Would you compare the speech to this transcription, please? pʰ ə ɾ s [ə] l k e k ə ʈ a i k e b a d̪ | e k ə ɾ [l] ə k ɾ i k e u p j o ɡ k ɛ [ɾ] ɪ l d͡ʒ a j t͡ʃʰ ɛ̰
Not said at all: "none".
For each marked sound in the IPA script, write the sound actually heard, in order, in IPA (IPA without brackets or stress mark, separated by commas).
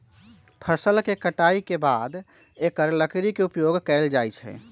ə, l, none